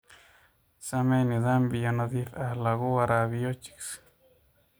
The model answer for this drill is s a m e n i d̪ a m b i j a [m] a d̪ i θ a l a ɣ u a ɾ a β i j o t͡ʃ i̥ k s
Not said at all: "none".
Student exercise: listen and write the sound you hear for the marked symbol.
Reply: n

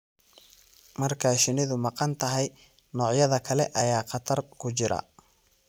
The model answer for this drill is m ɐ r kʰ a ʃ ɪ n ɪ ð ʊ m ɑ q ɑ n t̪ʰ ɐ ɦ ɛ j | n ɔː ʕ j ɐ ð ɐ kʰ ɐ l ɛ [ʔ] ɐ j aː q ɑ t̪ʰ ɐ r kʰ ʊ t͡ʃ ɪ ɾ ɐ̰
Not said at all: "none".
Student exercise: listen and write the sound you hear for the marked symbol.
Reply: ʔ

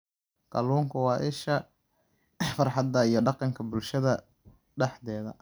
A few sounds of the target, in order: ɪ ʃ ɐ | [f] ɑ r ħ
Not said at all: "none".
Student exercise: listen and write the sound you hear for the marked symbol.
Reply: f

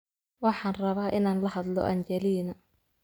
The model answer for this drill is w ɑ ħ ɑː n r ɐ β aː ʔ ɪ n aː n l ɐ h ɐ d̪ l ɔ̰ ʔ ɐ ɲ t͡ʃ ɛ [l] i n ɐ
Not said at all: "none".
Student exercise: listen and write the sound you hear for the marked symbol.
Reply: l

